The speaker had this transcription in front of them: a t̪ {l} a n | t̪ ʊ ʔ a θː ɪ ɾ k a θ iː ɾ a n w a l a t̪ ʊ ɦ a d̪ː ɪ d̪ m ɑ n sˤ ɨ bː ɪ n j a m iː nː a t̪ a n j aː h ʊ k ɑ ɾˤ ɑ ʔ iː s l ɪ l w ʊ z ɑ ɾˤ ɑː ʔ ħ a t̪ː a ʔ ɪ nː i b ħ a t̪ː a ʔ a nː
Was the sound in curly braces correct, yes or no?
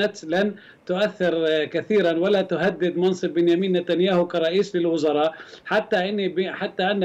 yes